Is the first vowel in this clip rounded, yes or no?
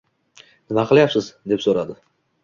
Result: no